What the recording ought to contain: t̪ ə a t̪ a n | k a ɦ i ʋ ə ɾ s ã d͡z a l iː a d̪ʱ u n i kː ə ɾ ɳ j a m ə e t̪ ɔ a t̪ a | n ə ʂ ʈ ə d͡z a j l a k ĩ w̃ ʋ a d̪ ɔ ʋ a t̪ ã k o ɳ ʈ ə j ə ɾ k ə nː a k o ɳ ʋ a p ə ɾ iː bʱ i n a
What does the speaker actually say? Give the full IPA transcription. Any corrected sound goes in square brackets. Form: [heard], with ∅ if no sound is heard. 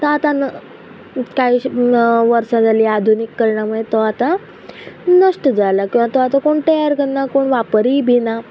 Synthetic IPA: t̪ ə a t̪ a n | k a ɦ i ʋ ə ɾ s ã d͡z a l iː a d̪ʱ u n i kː ə ɾ ɳ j a m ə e t̪ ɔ a t̪ a | n ə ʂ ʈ ə d͡z a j l a k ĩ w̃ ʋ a [t̪] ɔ ʋ a t̪ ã k o ɳ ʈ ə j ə ɾ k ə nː a k o ɳ ʋ a p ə ɾ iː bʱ i n a